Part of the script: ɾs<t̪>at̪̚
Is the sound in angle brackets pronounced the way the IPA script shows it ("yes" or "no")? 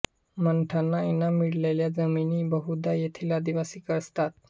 yes